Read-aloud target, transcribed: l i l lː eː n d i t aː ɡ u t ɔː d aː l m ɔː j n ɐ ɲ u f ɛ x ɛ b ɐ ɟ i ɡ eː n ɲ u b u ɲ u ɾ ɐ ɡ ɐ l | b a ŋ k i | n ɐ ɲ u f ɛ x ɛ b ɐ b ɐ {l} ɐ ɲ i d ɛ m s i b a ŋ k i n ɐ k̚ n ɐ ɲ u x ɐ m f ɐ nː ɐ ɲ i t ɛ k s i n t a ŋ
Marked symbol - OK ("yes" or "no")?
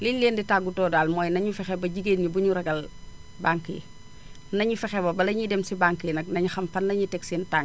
yes